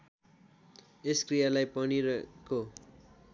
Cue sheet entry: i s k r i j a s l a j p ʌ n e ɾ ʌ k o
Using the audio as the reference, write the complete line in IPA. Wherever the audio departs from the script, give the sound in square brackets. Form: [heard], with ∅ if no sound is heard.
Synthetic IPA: [e] s k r i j a [∅] l a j p ʌ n [i] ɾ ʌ k o